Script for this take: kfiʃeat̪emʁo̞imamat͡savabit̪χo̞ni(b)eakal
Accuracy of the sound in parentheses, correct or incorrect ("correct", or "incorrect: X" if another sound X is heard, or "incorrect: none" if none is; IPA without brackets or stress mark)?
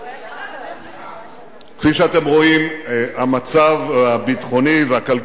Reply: incorrect: v